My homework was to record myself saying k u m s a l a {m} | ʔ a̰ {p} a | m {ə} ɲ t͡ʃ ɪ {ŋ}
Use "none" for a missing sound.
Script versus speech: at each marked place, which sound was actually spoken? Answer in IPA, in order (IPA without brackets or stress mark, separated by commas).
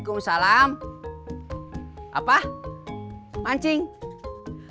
m, p, a, ŋ